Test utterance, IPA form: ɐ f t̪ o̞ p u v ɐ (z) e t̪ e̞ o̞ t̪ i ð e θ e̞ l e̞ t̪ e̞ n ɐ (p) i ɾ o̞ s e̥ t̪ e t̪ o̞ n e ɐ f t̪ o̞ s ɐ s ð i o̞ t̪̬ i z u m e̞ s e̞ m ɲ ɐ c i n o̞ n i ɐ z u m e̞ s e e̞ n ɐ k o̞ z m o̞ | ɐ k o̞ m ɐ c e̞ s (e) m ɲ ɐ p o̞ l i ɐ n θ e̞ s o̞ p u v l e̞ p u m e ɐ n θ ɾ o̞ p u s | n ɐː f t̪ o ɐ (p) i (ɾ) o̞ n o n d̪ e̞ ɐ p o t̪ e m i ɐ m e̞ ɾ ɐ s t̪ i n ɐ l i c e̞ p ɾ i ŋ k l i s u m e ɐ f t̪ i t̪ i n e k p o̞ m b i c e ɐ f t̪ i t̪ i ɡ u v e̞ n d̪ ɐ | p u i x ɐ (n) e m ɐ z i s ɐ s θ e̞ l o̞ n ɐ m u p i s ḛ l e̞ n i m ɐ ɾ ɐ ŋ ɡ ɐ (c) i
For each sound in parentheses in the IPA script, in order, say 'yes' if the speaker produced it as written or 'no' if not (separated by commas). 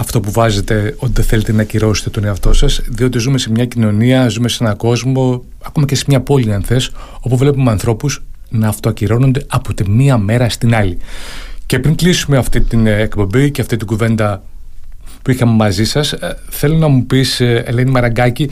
yes, no, yes, no, yes, no, yes